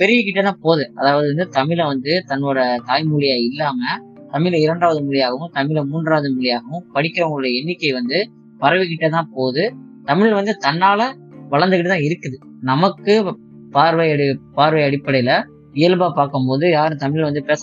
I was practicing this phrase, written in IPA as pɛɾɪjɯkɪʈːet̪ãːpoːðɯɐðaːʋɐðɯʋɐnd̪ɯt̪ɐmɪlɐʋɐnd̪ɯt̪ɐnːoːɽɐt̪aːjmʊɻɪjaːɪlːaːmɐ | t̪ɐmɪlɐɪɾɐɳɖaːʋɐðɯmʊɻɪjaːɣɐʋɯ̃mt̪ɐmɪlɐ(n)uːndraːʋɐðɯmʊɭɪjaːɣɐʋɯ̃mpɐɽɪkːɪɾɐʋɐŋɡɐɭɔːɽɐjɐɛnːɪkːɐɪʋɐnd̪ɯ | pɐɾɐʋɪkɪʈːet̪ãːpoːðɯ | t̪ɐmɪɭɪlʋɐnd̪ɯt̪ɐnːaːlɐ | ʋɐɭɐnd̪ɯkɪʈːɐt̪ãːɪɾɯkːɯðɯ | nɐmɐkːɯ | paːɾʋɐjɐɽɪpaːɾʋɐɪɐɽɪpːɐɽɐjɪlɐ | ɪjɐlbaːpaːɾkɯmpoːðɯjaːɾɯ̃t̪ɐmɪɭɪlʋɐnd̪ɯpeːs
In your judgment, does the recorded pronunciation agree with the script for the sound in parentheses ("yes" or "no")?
no